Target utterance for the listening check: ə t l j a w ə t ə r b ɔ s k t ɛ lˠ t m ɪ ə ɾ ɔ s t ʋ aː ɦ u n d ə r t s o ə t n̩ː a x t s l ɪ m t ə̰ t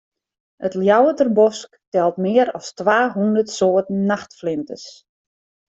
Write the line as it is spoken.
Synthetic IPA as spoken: ə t l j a w ə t ə r b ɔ s k t ɛ lˠ t m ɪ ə ɾ ɔ s t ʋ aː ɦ u n d ə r t s o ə t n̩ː a x t f l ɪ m t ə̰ s

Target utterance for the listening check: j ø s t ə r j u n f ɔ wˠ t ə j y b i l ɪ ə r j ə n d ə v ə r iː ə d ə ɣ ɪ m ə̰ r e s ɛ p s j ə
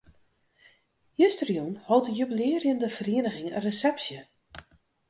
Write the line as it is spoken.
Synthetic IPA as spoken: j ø s t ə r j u n h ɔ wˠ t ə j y b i l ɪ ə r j ə n d ə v ə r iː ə n ə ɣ ɪ ŋ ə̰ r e s ɛ p s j ə

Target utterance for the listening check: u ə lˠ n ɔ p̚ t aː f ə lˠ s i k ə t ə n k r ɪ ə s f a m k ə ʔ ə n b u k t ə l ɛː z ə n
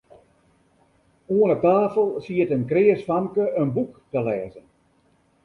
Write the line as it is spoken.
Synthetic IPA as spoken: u ə n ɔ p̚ t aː f ə lˠ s i ə t ə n k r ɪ ə s f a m k ə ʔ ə n b u k t ə l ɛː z ə n

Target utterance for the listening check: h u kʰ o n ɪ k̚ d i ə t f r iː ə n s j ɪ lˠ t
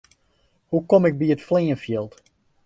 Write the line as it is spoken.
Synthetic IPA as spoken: h u k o m ɪ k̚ b i ə t f l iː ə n f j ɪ lˠ t

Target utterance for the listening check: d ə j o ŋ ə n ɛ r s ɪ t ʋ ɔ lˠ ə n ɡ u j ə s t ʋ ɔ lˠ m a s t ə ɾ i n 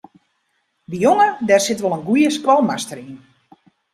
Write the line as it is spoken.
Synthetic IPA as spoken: d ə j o ŋ ə d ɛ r s ɪ t ʋ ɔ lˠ ə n ɡ u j ə s k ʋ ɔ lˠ m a s t ə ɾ i n

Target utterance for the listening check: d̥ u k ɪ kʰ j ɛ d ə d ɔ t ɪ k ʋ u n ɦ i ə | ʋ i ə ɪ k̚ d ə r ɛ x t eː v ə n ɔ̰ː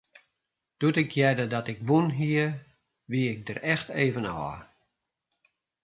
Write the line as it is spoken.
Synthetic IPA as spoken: d̥ u t ɪ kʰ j ɛ d ə d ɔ t ɪ k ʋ u n ɦ i ə | ʋ i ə ɪ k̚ d ə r ɛ x t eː v ə n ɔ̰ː

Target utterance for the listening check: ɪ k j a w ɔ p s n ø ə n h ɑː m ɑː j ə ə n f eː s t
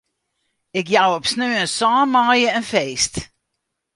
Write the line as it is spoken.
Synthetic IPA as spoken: ɪ k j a w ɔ p s n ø ə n s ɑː m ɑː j ə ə n f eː s t

